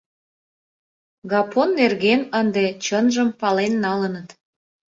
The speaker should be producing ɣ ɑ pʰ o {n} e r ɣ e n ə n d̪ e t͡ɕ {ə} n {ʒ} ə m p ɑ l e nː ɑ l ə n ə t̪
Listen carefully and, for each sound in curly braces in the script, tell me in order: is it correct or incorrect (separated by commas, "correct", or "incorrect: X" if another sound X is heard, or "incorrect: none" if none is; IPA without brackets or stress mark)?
incorrect: nː, correct, correct